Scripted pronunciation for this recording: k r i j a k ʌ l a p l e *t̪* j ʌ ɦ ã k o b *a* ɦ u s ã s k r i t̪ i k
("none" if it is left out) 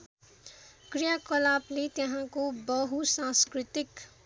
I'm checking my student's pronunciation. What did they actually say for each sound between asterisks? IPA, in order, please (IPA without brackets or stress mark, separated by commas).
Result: t̪, ʌ